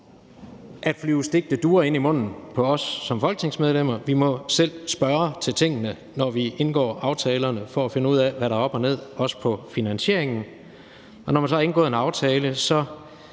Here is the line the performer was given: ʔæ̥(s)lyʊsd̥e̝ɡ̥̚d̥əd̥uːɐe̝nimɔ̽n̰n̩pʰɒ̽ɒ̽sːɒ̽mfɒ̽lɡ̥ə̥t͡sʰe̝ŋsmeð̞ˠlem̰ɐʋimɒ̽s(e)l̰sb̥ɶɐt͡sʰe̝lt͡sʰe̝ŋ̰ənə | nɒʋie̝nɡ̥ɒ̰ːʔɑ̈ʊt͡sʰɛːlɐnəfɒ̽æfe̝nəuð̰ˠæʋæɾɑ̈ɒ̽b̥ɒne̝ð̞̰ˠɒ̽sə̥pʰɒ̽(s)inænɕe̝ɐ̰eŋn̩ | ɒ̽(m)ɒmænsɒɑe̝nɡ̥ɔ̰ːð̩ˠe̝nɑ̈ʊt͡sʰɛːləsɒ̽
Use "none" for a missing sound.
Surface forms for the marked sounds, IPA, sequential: f, e, f, n

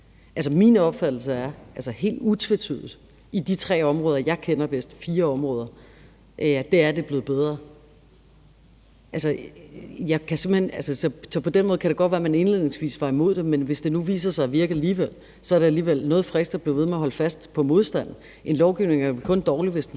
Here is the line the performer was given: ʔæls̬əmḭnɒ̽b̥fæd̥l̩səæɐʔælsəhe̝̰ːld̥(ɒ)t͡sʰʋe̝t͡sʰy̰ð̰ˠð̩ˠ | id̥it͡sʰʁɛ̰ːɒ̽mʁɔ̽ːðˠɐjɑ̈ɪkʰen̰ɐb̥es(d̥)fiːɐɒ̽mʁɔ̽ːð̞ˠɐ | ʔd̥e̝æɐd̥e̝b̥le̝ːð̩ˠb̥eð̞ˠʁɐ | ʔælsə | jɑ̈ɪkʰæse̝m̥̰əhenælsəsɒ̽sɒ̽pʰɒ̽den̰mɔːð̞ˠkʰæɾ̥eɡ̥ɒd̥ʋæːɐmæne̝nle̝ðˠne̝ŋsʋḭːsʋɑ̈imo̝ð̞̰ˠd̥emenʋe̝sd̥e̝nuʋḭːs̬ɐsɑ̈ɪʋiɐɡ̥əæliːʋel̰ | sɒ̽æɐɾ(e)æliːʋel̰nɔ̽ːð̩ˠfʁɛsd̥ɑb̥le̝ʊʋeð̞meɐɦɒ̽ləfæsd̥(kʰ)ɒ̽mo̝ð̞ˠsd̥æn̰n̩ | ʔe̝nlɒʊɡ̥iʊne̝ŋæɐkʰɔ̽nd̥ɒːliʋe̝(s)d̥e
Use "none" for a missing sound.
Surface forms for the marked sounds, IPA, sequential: u, d̥, e, pʰ, s

